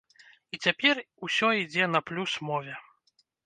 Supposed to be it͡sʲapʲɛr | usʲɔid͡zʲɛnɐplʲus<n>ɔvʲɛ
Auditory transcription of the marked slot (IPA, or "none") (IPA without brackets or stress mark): m